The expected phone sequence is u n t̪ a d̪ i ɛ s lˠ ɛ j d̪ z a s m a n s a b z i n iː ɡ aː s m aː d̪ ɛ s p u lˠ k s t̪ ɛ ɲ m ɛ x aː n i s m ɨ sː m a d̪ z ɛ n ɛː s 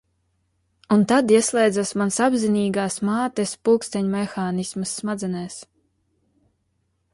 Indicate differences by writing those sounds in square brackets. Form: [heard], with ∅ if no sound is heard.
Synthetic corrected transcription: u n t̪ a d̪ i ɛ s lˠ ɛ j d̪ z a s m a n s a b z i n iː ɡ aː s m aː [t̪] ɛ s p u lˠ k s t̪ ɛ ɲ m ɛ x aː n i s m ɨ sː m a d̪ z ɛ n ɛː s